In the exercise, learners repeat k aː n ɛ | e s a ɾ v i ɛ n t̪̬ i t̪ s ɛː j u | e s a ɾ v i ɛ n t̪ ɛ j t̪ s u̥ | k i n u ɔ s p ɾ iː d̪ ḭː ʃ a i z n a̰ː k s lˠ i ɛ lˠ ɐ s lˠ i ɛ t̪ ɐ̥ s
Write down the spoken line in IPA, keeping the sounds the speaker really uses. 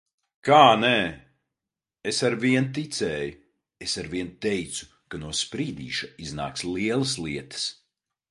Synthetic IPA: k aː n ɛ | e s a ɾ v i ɛ n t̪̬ i t̪ s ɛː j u | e s a ɾ v i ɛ n t̪ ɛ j t̪ s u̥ | k a n u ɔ s p ɾ iː d̪ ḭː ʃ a i z n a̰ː k s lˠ i ɛ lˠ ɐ s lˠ i ɛ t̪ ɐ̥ s